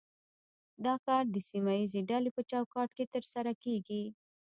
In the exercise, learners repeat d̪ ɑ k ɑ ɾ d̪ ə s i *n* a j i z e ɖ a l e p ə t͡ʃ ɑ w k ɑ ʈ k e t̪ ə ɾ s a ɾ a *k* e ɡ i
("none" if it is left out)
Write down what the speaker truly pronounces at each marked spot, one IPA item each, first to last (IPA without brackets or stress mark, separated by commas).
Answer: m, k